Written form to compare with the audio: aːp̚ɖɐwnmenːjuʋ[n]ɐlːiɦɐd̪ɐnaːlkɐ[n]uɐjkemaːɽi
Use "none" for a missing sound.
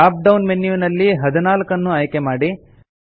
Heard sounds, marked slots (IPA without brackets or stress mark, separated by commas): n, nː